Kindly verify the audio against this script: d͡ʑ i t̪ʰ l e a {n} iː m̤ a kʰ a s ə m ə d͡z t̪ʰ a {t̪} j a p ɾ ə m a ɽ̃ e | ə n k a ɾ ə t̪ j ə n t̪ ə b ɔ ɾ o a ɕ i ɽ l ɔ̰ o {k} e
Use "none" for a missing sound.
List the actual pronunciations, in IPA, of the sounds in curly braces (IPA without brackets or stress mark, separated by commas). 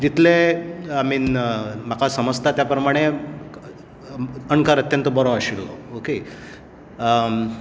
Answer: m, t̪, k